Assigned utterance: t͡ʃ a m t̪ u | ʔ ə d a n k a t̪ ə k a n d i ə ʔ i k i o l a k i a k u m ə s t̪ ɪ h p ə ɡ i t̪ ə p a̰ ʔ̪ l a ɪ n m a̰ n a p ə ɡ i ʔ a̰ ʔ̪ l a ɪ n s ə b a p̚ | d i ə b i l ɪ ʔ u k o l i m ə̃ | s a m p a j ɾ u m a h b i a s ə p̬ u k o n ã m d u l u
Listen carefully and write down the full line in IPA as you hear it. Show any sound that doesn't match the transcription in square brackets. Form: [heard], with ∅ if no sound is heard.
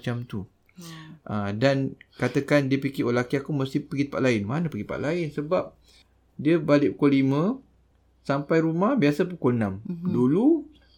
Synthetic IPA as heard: t͡ʃ a m t̪ u | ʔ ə d a n k a t̪ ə k a n d i ə [p] i k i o l a k i a k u m ə s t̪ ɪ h p ə ɡ i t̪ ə p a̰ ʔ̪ l a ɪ n m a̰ n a p ə ɡ i [p] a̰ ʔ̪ l a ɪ n s ə b a p̚ | d i ə b [a] l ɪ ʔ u k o l i m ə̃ | s a m p a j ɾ u m a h b i a s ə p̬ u k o n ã m d u l u